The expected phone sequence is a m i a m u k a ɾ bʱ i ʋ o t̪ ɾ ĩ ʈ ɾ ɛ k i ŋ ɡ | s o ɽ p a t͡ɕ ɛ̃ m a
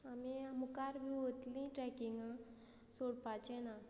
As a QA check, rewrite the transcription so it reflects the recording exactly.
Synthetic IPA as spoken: a m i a m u k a ɾ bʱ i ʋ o t̪ l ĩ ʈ ɾ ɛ k i ŋ ɡ | s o ɽ p a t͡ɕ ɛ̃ n a